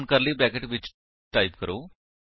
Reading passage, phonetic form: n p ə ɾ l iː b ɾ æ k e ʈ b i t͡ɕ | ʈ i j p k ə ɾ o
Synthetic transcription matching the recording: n k ə ɾ l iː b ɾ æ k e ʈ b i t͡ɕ | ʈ a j p k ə ɾ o